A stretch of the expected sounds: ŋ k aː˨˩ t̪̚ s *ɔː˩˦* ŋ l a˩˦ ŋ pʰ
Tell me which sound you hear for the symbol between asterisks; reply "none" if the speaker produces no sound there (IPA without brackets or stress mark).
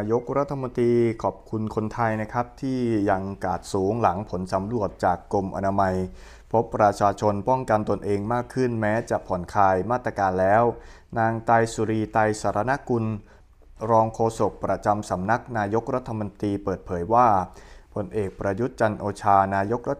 uː˩˦